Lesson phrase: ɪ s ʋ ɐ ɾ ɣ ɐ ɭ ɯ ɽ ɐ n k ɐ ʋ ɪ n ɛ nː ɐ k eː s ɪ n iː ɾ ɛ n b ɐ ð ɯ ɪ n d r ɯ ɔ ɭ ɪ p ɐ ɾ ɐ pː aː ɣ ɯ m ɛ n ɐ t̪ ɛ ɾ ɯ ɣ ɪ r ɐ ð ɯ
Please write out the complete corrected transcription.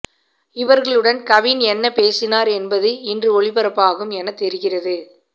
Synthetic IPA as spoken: ɪ ʋ ɐ ɾ ɣ ɐ ɭ ɯ ɽ ɐ n k ɐ ʋ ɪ n ɛ nː ɐ p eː s ɪ n aː ɾ ɛ n b ɐ ð ɯ ɪ n d r ɯ ɔ ɭ ɪ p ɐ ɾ ɐ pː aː ɣ ɯ m ɛ n ɐ t̪ ɛ ɾ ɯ ɣ ɪ r ɐ ð ɯ